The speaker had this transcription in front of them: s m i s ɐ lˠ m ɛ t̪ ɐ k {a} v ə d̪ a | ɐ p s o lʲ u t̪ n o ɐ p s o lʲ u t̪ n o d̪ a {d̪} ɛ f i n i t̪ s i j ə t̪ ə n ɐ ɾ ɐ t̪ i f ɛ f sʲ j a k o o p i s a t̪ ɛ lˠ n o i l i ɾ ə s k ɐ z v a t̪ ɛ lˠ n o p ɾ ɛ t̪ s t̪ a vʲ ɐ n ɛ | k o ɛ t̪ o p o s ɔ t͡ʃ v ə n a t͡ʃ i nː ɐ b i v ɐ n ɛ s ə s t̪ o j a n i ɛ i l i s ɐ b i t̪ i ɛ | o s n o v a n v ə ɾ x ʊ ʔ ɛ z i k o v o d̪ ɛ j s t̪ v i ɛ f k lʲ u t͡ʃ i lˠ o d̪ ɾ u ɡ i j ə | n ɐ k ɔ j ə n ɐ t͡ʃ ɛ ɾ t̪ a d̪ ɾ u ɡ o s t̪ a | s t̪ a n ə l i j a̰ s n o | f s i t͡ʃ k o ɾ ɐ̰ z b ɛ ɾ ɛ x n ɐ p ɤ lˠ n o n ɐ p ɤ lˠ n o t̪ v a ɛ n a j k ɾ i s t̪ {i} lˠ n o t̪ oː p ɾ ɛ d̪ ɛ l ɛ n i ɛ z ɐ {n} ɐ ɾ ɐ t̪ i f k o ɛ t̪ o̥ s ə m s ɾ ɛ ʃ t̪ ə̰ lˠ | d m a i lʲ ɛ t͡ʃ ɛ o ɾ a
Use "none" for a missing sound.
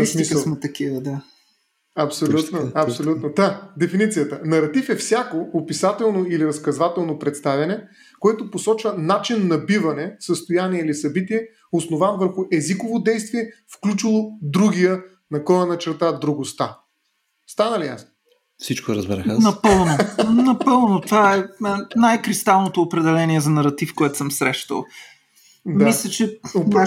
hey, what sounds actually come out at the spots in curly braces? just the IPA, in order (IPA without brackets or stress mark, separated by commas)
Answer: i, d̪, a, n